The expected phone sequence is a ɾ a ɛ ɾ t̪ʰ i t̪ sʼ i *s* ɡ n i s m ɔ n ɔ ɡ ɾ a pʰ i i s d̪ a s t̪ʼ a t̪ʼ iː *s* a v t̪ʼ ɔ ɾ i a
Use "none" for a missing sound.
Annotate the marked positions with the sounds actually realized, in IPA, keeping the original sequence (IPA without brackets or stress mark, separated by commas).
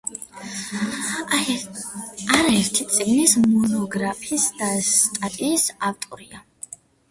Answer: none, s